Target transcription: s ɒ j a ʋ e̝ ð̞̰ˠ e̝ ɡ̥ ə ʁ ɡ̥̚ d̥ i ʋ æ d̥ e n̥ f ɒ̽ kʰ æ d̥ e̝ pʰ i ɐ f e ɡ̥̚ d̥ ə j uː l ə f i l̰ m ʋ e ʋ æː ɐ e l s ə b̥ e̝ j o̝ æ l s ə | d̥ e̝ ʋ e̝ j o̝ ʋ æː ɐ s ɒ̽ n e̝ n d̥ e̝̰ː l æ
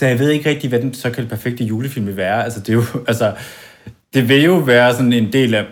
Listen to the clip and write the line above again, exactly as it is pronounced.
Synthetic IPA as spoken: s ɒ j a ʋ e̝ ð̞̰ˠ e̝ ɡ̥ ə ʁ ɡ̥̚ d̥ i ʋ æ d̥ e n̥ s ɒ̽ kʰ æ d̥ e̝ pʰ æ ɐ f e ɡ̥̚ d̥ ə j uː l ə f i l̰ m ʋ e ʋ æː ɐ æ l s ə d̥ e̝ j o̝ æ l s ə | d̥ e̝ ʋ e̝ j o̝ ʋ æː ɐ s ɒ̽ n e̝ n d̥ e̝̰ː l æ